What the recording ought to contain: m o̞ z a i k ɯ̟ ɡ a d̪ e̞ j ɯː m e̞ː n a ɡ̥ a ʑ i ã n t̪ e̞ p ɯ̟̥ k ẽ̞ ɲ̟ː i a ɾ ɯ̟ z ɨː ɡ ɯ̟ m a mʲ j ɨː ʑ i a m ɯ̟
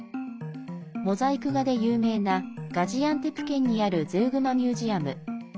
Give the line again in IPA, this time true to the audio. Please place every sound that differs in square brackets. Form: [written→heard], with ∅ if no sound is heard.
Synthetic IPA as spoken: m o̞ z a i k ɯ̟ ɡ a d̪ e̞ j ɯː m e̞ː n a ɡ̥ a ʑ i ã n t̪ e̞ p ɯ̟̥ k ẽ̞ ɲ̟ː i a ɾ ɯ̟ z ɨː ɡ ɯ̟ m a mʲ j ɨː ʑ i a m ɯ̟